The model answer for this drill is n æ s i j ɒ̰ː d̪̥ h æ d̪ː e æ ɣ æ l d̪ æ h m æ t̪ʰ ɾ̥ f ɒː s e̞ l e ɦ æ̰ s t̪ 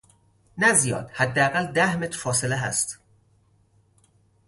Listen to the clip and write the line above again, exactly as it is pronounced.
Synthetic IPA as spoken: n æ z i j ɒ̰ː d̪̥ h æ d̪ː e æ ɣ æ l d̪ æ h m e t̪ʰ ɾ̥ f ɒː s e̞ l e ɦ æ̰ s t̪